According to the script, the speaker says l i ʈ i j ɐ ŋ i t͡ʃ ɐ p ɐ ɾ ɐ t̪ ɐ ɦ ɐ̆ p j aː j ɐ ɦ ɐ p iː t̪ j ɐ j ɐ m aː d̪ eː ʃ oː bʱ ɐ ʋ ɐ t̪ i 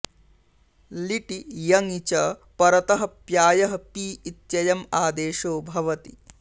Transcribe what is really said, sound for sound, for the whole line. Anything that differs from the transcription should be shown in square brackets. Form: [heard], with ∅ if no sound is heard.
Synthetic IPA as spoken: l i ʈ i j ɐ ŋ i t͡ʃ ɐ p ɐ ɾ ɐ t̪ ɐ ɦ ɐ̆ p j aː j ɐ ɦ ɐ p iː t̪ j ɐ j ɐ m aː d̪ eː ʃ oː bʱ ɐ ʋ ɐ t̪ i